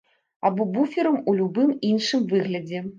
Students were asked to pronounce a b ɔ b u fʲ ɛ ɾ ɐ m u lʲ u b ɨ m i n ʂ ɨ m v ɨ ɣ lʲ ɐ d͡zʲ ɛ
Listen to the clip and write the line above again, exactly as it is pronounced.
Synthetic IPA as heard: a b ɔ b u fʲ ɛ ɾ ɐ m u lʲ u b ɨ m i n ʂ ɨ m v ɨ ɣ lʲ ɐ d͡zʲ ɛ